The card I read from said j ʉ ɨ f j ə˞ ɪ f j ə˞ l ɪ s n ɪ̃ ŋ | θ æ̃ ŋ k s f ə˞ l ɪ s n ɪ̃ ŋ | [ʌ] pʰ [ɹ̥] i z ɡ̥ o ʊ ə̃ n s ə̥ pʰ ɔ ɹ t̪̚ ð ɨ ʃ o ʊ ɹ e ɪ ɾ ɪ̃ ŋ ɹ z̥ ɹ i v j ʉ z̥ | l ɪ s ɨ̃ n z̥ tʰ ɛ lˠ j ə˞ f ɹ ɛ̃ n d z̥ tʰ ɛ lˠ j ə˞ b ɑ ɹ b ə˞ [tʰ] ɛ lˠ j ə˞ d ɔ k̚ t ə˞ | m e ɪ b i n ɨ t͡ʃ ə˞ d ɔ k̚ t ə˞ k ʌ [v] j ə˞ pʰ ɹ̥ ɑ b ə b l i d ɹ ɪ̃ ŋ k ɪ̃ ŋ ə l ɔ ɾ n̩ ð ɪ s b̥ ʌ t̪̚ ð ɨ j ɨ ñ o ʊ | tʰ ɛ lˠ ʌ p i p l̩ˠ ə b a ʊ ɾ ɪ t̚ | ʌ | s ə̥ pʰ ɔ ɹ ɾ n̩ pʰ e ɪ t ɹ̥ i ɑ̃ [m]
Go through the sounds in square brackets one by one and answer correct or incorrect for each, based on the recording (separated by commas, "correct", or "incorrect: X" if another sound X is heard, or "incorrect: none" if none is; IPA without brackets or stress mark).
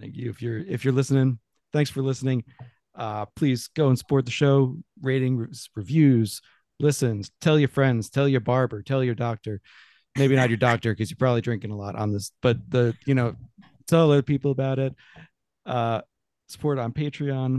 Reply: correct, incorrect: l̥, correct, incorrect: z, incorrect: n